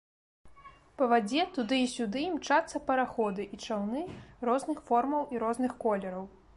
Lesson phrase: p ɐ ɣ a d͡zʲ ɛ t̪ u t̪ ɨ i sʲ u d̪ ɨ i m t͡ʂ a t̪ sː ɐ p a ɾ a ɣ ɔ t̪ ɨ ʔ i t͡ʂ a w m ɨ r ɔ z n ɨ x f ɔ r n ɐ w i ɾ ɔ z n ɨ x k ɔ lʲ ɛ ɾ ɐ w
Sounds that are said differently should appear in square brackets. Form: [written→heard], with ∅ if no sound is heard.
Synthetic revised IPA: p ɐ [ɣ→v] a d͡zʲ ɛ t̪ u [t̪→d̪] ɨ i sʲ u d̪ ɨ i m t͡ʂ a t̪ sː ɐ p [a→ɐ] ɾ a [ɣ→x] ɔ [t̪→d̪] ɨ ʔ i t͡ʂ a w [m→n] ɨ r ɔ z n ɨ x f ɔ r [n→m] ɐ w i ɾ ɔ z n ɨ x k ɔ lʲ ɛ ɾ ɐ w